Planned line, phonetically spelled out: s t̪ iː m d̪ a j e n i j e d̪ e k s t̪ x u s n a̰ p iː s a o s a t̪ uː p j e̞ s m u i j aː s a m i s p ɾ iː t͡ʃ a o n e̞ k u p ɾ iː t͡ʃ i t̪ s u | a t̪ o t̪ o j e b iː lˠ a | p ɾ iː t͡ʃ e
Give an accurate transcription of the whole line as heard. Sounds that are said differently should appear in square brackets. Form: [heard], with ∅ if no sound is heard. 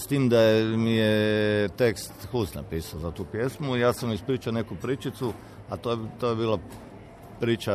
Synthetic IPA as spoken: s t̪ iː m d̪ a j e [m] i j e [t̪] e k s t̪ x u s n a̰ p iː s a o [z] a t̪ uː p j e̞ s m u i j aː s a m i s p ɾ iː t͡ʃ a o n e̞ k u p ɾ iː t͡ʃ i t̪ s u | a t̪ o t̪ o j e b iː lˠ a | p ɾ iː t͡ʃ [a]